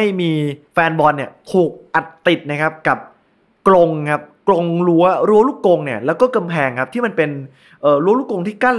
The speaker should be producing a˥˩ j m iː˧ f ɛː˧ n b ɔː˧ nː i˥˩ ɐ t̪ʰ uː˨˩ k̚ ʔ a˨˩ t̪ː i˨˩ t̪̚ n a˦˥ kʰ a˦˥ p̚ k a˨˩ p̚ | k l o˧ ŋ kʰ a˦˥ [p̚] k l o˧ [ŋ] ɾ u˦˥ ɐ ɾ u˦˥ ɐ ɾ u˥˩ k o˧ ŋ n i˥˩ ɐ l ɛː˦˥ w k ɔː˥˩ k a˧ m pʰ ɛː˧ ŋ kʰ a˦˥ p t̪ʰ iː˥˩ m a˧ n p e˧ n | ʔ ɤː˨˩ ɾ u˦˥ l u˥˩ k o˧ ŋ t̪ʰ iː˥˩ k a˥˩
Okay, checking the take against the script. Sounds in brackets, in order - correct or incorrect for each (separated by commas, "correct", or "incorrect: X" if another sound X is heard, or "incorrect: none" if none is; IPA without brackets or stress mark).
correct, correct